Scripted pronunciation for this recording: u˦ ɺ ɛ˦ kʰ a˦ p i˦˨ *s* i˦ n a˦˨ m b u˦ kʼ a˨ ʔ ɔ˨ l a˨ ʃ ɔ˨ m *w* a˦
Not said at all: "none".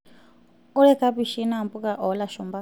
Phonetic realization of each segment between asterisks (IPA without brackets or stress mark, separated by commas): ʃ, b